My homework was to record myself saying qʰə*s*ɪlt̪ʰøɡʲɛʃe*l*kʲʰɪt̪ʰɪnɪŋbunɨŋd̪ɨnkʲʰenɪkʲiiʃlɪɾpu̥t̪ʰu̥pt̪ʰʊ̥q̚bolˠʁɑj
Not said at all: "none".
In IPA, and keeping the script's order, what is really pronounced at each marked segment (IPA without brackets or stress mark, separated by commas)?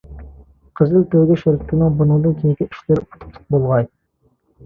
z, ɾ